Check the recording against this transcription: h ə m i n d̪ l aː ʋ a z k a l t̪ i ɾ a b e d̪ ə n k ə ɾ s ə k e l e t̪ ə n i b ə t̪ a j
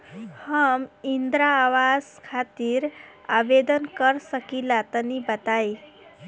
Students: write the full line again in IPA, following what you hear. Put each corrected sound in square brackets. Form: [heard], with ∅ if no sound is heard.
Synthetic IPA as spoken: h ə m i n d̪ [ɾ] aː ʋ a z [kʰ] a [∅] t̪ i ɾ a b e d̪ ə n k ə ɾ s ə k [i] l [a] t̪ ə n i b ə t̪ a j